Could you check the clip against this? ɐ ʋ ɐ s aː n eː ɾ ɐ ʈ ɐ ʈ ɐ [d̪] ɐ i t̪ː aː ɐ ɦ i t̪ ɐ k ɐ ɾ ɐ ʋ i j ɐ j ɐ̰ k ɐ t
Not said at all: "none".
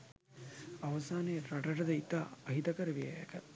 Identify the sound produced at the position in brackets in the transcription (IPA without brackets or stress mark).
d̪